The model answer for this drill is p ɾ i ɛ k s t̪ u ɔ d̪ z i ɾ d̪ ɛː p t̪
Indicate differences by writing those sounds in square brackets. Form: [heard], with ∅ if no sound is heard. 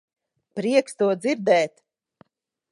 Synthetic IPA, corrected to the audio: p ɾ i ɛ k s t̪ u ɔ d̪ z i ɾ d̪ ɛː [∅] t̪